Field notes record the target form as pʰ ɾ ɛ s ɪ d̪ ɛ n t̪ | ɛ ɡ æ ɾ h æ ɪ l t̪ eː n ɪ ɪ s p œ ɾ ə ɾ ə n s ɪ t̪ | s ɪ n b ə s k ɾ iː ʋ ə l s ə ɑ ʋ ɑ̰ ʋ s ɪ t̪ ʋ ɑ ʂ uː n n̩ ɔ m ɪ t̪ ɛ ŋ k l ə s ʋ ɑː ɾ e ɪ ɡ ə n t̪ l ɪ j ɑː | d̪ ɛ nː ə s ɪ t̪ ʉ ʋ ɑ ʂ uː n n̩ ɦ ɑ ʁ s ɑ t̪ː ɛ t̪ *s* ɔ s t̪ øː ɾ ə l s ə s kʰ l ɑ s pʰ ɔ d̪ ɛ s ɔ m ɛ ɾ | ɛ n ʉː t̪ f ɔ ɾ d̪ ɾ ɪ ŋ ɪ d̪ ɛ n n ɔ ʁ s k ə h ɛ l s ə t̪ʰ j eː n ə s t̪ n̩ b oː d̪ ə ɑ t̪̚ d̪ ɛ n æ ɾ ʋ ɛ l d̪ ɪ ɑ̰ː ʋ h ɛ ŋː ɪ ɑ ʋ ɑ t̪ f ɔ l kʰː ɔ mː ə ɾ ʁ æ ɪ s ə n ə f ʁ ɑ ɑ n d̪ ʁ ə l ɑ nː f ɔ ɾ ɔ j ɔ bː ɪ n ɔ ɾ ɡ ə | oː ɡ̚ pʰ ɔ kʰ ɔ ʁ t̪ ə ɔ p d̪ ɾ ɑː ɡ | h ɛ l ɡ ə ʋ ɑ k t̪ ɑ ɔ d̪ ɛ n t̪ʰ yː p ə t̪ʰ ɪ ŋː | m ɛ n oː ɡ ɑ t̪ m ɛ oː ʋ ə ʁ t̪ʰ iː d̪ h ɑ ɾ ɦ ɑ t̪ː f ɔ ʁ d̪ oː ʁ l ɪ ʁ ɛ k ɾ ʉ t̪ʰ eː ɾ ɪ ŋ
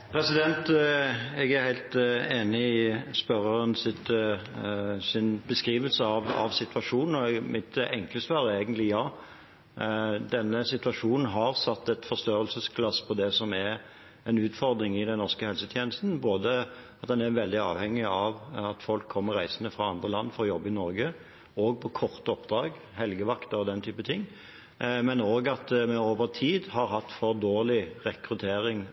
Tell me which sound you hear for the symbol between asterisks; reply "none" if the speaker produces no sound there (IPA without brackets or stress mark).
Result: f